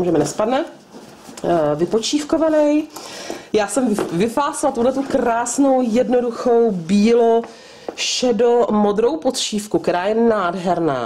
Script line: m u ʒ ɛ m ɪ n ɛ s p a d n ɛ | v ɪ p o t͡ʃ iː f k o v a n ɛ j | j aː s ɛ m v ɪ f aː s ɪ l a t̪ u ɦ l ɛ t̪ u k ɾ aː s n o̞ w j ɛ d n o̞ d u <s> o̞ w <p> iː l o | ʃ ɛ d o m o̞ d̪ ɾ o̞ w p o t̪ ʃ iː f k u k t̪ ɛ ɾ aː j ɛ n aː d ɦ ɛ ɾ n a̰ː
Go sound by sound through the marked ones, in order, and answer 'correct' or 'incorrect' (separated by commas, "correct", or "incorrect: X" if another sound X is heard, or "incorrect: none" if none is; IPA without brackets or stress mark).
incorrect: x, incorrect: b